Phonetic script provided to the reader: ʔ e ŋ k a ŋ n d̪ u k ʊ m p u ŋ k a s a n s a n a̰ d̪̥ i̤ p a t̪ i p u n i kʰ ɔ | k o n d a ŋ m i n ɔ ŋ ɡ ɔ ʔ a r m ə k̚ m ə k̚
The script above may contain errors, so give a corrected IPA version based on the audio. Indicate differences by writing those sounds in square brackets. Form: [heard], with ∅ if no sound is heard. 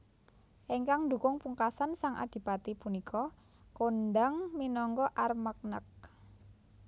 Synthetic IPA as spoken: ʔ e ŋ k a ŋ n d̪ u k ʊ [ŋ] p u ŋ k a s a n s a [ŋ] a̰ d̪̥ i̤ p a t̪ i p u n i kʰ ɔ | k o n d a ŋ m i n ɔ ŋ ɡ ɔ ʔ a r m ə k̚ [n] ə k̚